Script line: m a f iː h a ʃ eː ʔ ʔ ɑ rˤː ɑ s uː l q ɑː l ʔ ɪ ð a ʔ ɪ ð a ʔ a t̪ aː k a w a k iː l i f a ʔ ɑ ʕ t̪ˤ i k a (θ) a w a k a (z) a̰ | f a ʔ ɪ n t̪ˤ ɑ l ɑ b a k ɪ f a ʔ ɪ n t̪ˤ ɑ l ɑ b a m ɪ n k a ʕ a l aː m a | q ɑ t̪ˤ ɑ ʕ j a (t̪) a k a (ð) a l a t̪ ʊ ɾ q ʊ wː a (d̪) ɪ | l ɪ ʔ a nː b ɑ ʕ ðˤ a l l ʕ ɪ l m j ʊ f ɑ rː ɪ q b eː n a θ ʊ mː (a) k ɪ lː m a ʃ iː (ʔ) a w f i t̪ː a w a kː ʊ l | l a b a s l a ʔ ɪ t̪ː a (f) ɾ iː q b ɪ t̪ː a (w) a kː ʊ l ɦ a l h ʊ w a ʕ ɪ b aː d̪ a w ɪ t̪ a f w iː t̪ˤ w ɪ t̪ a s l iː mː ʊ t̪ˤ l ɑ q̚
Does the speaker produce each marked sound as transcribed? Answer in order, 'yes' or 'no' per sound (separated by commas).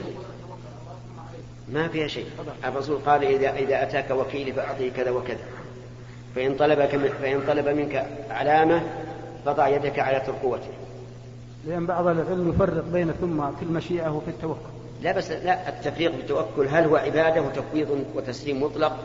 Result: no, no, no, no, no, yes, yes, yes, yes